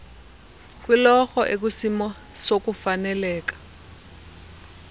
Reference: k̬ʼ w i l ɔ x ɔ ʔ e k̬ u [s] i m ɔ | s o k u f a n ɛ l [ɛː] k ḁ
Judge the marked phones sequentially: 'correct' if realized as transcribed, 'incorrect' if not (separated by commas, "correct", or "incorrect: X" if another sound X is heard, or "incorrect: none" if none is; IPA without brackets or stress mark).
correct, correct